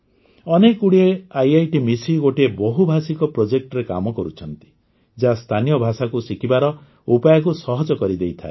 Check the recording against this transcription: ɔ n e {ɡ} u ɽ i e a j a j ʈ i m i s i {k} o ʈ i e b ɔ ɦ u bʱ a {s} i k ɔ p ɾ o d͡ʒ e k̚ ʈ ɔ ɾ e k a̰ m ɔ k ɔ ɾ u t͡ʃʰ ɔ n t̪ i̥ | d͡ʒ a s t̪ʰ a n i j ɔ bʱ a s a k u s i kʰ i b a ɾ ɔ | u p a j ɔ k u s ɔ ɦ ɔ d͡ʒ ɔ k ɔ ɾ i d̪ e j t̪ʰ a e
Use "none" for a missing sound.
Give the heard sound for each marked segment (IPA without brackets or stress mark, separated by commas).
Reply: k, ɡ, s